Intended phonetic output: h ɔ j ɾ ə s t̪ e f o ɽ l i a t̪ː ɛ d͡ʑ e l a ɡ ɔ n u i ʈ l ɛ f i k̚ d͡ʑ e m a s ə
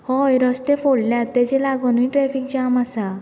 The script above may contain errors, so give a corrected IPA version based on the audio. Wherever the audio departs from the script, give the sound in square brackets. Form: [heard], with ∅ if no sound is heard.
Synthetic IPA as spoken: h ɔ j ɾ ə s t̪ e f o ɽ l [j] a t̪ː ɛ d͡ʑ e l a ɡ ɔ n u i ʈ [ɾ] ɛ f i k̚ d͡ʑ [a] m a s [a]